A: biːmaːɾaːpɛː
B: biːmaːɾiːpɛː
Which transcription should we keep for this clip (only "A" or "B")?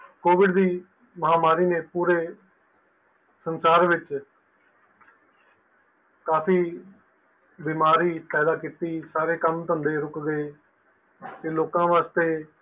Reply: B